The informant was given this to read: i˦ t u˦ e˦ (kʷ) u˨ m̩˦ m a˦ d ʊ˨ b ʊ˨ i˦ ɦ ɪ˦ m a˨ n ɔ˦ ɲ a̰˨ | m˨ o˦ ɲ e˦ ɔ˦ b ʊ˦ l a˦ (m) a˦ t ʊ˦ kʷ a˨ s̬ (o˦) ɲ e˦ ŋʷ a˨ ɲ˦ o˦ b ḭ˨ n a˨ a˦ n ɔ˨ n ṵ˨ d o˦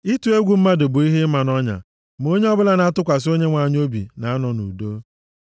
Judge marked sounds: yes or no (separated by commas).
no, no, yes